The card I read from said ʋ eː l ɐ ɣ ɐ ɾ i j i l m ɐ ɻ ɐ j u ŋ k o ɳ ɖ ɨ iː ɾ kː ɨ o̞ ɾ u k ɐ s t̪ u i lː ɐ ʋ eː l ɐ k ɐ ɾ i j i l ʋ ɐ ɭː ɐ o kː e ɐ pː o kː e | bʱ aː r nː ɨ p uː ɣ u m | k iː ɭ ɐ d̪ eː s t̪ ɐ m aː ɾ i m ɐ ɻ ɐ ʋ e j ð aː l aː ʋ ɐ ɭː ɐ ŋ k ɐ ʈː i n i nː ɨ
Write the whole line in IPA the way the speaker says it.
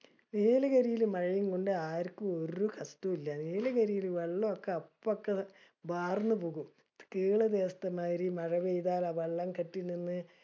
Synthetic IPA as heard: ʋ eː l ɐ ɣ ɐ ɾ i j i l m ɐ ɻ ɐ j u ŋ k o ɳ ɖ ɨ aː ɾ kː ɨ o̞ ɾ u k ɐ s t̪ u i lː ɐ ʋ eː l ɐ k ɐ ɾ i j i l ʋ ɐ ɭː ɐ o kː e ɐ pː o kː e | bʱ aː r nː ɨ p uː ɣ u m | k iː ɭ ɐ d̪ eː s t̪ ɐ m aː ɾ i m ɐ ɻ ɐ ʋ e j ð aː l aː ʋ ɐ ɭː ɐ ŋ k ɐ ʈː i n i nː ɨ